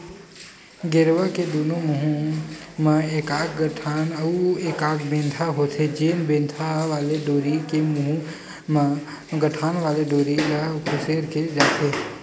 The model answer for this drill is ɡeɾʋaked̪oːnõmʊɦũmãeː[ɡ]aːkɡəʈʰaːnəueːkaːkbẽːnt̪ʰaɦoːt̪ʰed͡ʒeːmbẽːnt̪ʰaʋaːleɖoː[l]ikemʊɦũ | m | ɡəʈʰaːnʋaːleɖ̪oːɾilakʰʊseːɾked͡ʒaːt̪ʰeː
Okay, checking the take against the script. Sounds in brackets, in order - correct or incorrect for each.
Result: incorrect: k, incorrect: ɾ

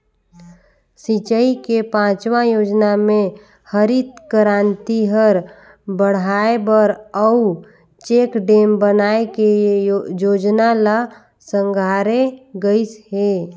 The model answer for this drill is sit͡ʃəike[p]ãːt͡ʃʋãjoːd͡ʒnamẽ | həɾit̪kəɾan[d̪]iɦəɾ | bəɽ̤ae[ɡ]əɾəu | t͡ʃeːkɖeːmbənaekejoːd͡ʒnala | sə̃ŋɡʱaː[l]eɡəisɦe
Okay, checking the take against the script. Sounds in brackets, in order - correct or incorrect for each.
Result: correct, incorrect: t̪, incorrect: b, incorrect: ɾ

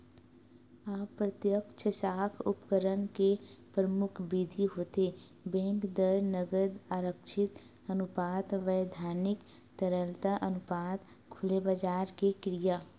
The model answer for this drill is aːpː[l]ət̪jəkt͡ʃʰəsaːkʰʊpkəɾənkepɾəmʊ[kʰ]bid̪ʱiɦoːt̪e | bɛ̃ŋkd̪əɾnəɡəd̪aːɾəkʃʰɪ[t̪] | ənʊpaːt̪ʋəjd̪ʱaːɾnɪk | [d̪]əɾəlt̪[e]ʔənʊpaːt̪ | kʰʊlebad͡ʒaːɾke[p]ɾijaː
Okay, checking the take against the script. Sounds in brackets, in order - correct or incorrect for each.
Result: incorrect: ɾ, correct, correct, incorrect: t̪, incorrect: a, incorrect: k

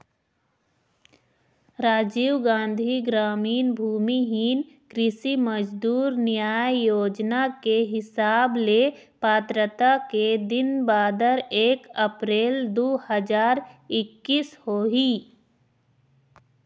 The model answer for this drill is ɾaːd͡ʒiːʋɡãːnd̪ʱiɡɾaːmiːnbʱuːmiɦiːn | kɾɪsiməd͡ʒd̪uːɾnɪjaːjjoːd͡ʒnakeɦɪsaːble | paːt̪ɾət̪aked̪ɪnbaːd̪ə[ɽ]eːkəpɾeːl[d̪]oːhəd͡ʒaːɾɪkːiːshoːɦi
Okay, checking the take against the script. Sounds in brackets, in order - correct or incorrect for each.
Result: incorrect: ɾ, correct

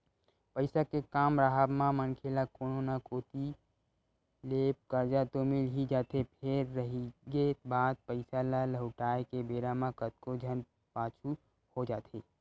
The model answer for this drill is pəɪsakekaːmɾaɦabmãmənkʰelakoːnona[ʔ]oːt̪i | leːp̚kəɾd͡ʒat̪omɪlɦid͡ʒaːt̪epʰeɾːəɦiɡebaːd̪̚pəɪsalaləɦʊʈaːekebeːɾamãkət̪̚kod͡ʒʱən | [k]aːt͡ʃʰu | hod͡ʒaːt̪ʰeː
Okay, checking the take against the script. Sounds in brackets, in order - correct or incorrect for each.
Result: incorrect: k, incorrect: p

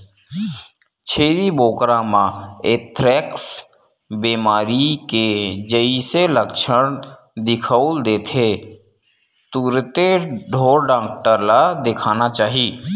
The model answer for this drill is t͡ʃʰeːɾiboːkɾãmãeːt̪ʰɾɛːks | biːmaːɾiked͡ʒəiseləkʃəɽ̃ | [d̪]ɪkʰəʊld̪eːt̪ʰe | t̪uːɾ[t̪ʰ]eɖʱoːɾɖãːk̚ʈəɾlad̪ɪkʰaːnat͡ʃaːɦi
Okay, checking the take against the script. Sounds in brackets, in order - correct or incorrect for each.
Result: correct, incorrect: t̪

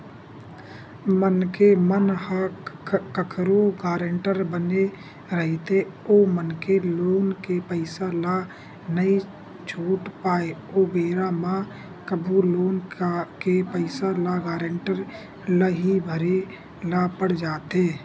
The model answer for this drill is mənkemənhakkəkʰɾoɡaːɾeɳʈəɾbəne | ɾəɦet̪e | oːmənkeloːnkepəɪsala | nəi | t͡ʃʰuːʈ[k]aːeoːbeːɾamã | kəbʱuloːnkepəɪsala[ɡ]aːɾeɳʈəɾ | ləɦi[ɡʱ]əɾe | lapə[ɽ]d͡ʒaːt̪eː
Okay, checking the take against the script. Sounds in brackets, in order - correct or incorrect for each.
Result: incorrect: p, correct, incorrect: bʱ, correct

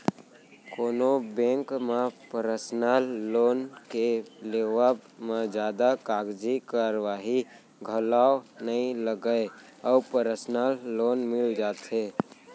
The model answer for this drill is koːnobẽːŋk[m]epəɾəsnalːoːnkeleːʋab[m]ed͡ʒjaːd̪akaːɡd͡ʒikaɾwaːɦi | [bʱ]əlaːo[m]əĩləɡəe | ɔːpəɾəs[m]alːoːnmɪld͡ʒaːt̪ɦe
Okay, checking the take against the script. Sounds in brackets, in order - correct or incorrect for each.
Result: correct, correct, incorrect: ɡʱ, incorrect: n, incorrect: n

